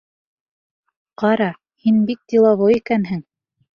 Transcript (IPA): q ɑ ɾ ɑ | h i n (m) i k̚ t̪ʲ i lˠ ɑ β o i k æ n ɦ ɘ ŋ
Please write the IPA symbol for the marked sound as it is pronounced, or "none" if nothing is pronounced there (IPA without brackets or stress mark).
b